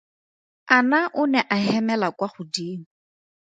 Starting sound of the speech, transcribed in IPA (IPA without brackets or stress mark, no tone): a